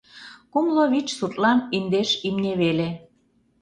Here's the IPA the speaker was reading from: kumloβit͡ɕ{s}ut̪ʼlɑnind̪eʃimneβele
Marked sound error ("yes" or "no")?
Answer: no